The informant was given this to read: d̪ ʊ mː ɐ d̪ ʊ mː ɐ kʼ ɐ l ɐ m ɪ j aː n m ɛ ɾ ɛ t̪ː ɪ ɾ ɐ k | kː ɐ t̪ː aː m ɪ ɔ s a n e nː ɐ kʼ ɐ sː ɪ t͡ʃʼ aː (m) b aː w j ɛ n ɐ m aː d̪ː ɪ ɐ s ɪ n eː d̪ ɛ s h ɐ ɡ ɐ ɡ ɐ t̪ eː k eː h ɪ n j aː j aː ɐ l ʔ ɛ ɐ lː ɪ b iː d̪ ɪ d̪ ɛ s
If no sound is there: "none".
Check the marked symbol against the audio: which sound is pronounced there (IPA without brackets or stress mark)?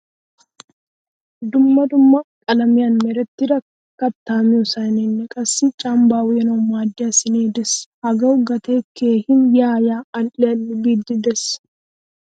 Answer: m